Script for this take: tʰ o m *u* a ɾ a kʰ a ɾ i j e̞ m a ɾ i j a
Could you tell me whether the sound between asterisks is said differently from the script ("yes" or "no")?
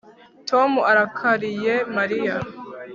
no